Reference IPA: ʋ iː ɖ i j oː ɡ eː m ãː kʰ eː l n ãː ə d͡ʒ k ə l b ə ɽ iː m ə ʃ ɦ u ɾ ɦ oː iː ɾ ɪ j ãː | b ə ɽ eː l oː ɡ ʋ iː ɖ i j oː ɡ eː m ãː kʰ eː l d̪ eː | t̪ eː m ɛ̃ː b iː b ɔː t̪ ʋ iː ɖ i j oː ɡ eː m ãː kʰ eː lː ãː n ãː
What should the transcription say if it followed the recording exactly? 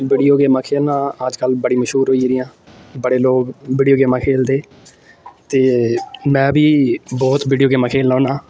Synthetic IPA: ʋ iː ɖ i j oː ɡ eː m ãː kʰ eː l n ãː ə d͡ʒ k ə l b ə ɽ iː m ə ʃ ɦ uː ɾ ɦ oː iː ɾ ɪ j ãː | b ə ɽ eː l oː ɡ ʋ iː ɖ i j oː ɡ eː m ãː kʰ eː l d̪ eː | t̪ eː m ɛ̃ː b iː b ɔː t̪ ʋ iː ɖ i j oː ɡ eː m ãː kʰ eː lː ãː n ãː